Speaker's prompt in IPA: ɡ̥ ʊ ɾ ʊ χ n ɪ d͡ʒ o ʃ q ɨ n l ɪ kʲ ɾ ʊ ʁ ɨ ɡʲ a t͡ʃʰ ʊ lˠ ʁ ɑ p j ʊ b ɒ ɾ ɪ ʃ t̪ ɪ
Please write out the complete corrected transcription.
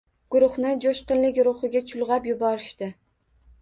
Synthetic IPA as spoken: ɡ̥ ʊ ɾ ʊ χ n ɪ d͡ʒ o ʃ q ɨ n l ɪ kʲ ɾ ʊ χ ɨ ɡʲ a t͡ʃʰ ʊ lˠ ʁ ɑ p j ʊ b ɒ ɾ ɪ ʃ t̪ ɪ